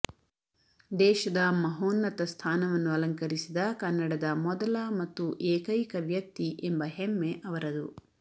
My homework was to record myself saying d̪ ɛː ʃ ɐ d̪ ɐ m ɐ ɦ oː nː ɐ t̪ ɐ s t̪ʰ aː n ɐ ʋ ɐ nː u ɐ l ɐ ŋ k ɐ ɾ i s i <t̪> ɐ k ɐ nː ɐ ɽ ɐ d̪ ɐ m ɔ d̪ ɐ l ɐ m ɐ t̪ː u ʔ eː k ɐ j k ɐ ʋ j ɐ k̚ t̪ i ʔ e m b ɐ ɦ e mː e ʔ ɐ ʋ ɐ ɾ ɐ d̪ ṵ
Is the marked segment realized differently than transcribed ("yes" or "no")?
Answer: yes